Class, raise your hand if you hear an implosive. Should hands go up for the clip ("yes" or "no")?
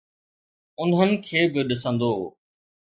yes